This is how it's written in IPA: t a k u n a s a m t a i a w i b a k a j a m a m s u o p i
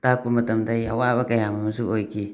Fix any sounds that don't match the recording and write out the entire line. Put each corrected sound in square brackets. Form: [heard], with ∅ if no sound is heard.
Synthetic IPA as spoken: t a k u [m] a [t] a m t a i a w [a] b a k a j a m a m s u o [k] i